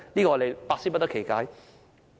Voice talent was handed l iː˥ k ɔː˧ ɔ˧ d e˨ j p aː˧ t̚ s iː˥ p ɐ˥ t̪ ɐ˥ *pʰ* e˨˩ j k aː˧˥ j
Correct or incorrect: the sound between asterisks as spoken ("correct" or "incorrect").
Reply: incorrect